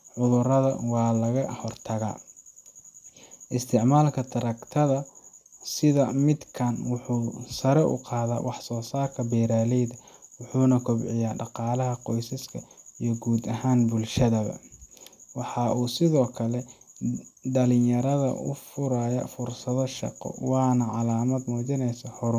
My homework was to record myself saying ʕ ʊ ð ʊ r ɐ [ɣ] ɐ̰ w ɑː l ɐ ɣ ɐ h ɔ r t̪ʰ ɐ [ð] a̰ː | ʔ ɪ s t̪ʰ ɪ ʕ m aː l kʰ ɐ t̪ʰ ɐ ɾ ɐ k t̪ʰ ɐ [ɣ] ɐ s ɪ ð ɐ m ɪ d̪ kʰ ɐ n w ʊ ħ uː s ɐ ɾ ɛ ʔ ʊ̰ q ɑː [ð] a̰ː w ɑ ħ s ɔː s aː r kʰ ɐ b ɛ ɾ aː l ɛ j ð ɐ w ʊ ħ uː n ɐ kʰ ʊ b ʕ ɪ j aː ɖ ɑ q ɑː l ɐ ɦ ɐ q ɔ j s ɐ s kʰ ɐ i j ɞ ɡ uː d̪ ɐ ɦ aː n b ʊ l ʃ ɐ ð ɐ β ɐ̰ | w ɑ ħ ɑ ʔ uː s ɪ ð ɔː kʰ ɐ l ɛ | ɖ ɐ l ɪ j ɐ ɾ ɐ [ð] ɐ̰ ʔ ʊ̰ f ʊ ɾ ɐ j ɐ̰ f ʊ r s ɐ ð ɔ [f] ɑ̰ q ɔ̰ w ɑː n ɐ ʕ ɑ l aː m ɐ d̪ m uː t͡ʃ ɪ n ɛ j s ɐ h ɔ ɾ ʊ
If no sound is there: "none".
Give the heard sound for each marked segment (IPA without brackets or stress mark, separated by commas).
ð, ɣ, ð, ð, ð, ʃ